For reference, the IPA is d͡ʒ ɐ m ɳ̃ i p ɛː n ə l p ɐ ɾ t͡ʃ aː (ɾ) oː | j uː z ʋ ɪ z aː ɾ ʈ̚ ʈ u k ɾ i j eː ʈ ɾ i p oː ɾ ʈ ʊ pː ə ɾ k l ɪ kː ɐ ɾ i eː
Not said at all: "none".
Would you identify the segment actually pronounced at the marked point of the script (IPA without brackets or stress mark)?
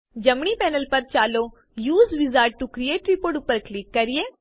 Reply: l